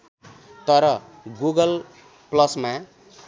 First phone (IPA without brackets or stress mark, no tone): t̪